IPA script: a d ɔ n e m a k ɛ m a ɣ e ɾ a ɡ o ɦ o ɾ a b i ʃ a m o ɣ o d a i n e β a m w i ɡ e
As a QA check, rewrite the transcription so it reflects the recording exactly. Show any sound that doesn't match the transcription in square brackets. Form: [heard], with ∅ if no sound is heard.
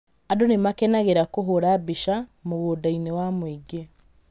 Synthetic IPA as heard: a d [o] n e m a k ɛ [n] a ɣ e ɾ a [k] o ɦ o ɾ a b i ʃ a m o ɣ o d a i n e [w] a m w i ɡ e